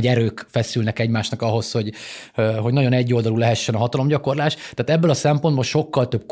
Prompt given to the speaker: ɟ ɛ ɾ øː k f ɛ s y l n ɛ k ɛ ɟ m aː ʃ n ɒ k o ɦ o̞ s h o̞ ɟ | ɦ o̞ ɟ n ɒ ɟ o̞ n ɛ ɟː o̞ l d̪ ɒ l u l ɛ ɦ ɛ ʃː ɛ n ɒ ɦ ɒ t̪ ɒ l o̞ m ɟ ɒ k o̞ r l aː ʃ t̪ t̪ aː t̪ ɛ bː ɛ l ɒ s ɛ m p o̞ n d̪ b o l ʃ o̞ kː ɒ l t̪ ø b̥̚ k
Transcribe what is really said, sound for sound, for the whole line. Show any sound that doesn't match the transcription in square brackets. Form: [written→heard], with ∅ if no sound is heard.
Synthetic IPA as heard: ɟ ɛ ɾ øː k f ɛ s y l n ɛ k ɛ ɟ m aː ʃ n ɒ k [o→ɒ] ɦ o̞ s h o̞ ɟ | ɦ o̞ ɟ n ɒ ɟ o̞ n ɛ ɟː o̞ l d̪ ɒ l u l ɛ ɦ ɛ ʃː ɛ n ɒ ɦ ɒ t̪ ɒ l o̞ m ɟ ɒ k o̞ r l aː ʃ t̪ t̪ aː t̪ ɛ bː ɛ l ɒ s ɛ m p o̞ n d̪ b o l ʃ o̞ kː ɒ l t̪ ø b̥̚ k